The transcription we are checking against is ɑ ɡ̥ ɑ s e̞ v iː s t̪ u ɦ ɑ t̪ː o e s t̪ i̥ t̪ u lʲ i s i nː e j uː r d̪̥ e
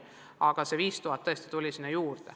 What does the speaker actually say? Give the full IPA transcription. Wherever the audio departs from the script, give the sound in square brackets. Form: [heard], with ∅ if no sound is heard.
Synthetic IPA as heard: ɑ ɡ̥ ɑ s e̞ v iː s t̪ u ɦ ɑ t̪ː [ɤ] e s t̪ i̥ t̪ u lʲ i s i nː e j uː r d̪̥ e